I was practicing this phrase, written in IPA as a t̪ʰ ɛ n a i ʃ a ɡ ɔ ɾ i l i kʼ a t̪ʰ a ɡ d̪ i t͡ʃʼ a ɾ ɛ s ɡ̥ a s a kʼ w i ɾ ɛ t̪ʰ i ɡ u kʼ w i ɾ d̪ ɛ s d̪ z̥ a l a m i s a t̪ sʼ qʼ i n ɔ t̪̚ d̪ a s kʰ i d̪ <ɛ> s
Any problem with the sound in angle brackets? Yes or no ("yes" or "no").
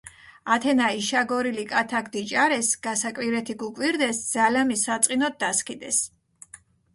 no